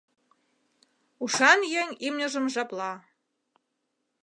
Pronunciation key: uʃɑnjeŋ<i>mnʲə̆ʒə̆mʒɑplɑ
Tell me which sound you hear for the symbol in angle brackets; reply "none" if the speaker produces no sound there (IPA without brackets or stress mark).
i